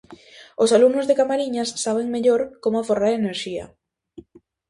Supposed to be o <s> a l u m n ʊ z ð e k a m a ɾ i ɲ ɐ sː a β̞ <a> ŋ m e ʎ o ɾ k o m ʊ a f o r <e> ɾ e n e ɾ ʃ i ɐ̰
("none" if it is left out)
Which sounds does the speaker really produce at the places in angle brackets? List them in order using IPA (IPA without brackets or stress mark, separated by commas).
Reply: s, e, a